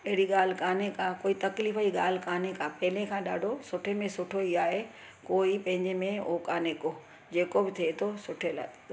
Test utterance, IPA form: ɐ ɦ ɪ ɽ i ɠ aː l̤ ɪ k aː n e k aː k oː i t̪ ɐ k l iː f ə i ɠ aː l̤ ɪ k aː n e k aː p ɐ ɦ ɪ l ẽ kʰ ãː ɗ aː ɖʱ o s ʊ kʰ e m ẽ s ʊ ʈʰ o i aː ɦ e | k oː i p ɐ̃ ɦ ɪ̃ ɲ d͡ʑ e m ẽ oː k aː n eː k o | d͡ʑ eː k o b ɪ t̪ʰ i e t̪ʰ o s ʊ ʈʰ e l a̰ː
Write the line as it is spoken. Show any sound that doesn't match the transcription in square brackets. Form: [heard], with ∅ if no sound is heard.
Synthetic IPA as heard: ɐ ɦ ɪ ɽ i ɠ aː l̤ ɪ k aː n e k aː k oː i t̪ ɐ k l iː f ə i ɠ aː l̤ ɪ k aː n e k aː p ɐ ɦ ɪ l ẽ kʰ ãː ɗ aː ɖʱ o s ʊ [ʈʰ] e m ẽ s ʊ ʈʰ o i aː ɦ e | k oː i p ɐ̃ ɦ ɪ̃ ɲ d͡ʑ e m ẽ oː k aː n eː k o | d͡ʑ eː k o b ɪ t̪ʰ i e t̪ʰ o s ʊ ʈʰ e l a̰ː